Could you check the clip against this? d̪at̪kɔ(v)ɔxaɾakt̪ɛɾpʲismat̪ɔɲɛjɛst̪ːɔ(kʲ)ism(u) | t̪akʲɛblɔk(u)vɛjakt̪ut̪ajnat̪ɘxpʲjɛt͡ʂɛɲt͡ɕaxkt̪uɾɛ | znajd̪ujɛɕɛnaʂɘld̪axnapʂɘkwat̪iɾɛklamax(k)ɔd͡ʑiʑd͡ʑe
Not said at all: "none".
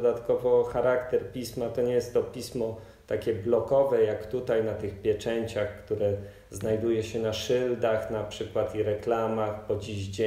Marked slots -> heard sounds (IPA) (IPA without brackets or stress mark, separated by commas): v, pʲ, ɔ, ɔ, p